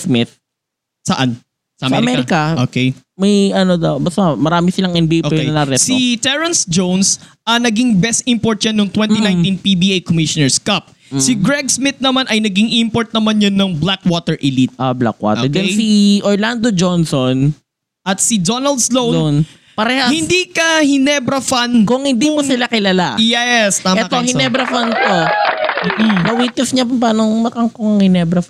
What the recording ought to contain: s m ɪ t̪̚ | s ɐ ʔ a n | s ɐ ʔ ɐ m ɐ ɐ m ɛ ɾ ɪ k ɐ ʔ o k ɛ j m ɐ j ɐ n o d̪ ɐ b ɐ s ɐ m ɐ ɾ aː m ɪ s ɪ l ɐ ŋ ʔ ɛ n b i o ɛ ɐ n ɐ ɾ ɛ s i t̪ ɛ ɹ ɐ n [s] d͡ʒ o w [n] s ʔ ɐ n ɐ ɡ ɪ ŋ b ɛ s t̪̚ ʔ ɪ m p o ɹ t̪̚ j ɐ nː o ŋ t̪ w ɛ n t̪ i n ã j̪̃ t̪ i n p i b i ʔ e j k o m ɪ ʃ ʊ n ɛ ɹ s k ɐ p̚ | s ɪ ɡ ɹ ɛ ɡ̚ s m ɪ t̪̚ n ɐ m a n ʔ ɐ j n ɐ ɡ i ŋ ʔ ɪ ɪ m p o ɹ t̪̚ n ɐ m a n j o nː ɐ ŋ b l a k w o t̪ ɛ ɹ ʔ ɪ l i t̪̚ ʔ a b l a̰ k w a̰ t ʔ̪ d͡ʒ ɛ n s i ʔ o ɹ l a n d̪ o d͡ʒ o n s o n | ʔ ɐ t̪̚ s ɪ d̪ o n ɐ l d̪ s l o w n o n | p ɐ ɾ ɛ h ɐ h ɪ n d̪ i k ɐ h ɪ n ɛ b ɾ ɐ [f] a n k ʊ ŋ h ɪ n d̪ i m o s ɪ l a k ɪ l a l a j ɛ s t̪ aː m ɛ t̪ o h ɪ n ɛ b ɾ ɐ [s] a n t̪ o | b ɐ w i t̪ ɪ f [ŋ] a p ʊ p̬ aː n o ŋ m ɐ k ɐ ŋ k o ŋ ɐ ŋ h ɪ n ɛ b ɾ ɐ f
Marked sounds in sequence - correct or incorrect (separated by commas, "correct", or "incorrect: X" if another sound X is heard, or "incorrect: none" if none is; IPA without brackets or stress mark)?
correct, correct, correct, incorrect: f, incorrect: ɲ